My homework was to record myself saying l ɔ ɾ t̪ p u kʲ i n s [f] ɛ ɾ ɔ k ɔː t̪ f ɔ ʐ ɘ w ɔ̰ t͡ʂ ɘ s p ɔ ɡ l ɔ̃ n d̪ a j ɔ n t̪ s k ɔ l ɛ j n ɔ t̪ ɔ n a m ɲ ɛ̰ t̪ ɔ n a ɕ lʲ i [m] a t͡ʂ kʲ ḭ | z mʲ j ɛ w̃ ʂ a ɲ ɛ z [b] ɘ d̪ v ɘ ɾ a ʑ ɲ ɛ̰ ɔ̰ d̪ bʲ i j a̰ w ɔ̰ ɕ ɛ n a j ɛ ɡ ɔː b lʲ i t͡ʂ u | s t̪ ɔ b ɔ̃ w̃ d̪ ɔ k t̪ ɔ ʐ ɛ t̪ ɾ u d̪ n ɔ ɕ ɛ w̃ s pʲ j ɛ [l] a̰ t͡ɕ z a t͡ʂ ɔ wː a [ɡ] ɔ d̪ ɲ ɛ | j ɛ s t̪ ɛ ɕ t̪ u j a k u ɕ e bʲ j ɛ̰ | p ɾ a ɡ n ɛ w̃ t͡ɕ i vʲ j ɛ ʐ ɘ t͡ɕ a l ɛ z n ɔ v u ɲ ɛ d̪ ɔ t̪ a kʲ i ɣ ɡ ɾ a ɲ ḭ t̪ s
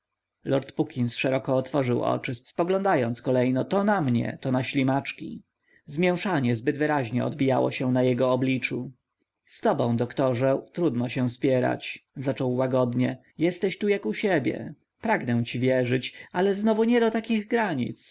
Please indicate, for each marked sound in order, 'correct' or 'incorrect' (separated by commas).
incorrect, correct, correct, incorrect, correct